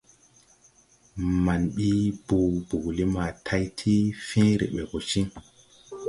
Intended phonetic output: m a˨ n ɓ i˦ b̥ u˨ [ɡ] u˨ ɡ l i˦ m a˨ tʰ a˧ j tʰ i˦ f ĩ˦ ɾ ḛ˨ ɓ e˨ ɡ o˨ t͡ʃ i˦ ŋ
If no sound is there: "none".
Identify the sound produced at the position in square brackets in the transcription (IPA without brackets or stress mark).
b